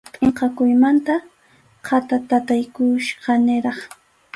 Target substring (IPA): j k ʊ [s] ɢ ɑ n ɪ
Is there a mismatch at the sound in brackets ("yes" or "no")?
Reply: yes